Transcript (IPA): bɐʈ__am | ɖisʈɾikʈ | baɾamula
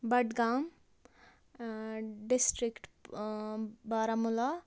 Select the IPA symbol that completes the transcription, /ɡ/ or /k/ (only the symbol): ɡ